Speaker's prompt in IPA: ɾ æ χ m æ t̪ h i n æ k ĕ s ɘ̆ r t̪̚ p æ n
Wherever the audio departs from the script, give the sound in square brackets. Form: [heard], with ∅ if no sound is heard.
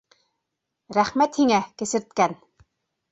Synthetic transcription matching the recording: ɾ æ χ m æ t̪ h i [ŋ] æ k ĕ s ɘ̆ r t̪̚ [k] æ n